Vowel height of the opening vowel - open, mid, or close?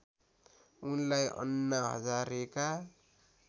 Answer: close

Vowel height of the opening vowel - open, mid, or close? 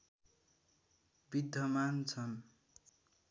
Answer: close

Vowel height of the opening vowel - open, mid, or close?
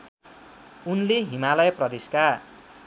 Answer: close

